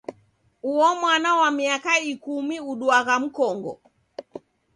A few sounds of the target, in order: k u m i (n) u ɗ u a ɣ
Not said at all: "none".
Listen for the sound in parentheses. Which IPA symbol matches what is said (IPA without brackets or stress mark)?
none